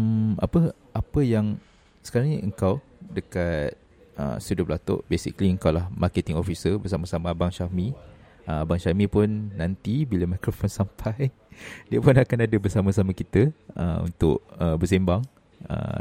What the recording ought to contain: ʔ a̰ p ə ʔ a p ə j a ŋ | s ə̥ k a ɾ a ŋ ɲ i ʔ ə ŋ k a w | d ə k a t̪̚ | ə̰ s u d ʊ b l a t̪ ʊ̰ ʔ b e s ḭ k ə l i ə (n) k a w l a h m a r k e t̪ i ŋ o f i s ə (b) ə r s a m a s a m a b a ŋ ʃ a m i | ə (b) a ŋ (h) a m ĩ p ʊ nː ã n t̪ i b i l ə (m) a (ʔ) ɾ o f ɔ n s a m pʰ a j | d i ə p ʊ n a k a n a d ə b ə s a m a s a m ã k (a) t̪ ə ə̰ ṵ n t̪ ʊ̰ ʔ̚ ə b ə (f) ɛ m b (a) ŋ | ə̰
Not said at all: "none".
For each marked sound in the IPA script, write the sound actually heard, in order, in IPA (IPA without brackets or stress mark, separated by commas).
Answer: ŋ, b, b, ʃ, m, k, i, s, a